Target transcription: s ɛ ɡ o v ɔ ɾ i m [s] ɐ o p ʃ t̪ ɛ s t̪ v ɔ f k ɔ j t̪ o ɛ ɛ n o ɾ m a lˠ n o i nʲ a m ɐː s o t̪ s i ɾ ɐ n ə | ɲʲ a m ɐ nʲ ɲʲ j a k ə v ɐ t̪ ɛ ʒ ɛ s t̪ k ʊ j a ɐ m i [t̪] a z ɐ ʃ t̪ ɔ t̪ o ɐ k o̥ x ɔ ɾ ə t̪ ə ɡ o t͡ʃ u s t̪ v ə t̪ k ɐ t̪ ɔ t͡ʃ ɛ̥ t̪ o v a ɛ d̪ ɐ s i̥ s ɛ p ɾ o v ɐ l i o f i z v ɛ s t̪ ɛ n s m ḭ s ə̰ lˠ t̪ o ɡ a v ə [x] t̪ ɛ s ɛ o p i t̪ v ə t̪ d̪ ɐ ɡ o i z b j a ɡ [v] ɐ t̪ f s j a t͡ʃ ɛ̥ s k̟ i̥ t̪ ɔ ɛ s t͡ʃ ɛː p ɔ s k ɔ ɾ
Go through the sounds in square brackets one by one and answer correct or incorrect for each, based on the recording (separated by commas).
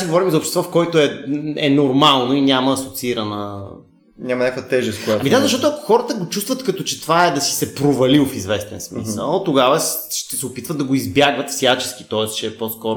incorrect, incorrect, incorrect, correct